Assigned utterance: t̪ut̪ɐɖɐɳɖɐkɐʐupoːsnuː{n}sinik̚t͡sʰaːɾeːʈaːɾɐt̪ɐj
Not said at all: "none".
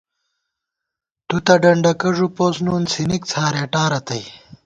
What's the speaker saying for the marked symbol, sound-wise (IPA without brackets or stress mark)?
n